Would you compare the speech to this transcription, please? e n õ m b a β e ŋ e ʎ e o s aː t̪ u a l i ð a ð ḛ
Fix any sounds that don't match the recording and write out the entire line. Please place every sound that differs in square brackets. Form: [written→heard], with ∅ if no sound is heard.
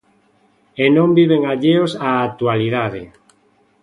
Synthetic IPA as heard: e n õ m b [a→i] β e ŋ [e→a] ʎ e o s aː t̪ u a l i ð a ð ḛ